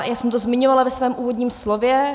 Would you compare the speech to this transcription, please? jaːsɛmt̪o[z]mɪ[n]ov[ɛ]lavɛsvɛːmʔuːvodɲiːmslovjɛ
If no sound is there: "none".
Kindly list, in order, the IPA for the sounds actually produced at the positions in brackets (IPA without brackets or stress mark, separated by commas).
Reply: z, ɲ, a